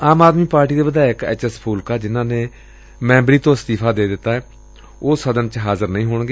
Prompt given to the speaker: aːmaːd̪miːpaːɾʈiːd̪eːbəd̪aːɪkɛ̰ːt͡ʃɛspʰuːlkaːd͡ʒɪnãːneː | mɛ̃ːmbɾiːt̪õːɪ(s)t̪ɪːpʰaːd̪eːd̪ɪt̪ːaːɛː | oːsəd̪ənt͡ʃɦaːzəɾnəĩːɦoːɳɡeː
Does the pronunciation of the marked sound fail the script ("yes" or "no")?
no